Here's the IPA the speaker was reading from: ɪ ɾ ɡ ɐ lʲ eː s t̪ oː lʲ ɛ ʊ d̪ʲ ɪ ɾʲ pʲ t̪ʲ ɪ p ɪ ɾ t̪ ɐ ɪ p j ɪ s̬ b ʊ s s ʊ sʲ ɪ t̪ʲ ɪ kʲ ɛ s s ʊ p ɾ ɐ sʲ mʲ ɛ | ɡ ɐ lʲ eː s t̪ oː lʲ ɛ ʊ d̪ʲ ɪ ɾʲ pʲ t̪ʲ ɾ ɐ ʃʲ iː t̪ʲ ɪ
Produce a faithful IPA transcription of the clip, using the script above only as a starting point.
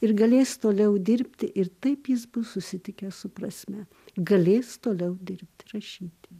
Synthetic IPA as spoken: ɪ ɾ ɡ ɐ lʲ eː s t̪ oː lʲ ɛ ʊ d̪ʲ ɪ ɾʲ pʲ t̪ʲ ɪ ʔ ɪ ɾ t̪ ɐ ɪ p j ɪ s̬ b ʊ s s ʊ sʲ ɪ t̪ʲ ɪ kʲ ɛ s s ʊ p ɾ ɐ sʲ mʲ ɛ | ɡ ɐ lʲ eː s t̪ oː lʲ ɛ ʊ d̪ʲ ɪ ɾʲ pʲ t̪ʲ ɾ ɐ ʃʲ iː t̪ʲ ɪ